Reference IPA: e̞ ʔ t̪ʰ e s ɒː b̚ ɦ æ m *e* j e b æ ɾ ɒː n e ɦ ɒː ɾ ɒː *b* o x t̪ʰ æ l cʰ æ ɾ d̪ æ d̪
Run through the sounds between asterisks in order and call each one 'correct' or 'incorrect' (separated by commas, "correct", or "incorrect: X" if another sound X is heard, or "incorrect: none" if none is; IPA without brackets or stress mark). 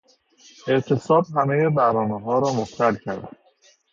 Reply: correct, incorrect: m